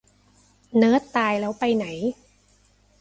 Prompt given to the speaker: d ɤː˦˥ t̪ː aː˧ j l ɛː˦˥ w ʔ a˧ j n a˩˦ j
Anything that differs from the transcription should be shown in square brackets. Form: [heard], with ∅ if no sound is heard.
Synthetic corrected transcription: [n] ɤː˦˥ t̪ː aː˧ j l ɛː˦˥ w [p] a˧ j n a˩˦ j